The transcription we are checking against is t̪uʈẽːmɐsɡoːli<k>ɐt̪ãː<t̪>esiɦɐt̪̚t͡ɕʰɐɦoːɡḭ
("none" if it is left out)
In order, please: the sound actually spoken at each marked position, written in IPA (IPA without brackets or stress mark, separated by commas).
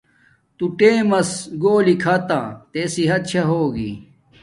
kʰ, t̪